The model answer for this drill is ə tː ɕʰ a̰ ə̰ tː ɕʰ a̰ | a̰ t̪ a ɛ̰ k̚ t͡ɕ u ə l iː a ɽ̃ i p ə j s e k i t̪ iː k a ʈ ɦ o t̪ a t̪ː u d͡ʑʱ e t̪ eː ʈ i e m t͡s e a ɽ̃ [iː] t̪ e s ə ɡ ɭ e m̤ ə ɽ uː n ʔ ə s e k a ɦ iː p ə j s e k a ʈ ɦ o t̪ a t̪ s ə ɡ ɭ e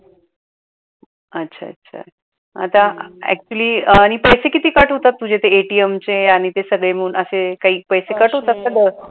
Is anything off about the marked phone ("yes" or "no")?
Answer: yes